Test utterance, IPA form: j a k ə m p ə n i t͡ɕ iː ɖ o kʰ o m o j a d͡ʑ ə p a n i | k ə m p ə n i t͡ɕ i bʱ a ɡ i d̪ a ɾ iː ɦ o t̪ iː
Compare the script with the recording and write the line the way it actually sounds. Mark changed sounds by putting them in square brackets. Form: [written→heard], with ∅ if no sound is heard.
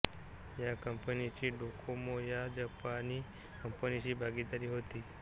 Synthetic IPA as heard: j a k ə m p ə n i t͡ɕ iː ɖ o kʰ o m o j a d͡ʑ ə p a n i | k ə m p ə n i t͡ɕ [i→iː] bʱ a ɡ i d̪ a ɾ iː ɦ o t̪ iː